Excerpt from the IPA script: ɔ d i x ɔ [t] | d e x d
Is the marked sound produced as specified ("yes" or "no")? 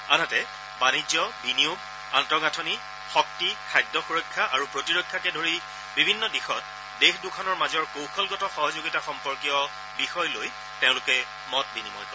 yes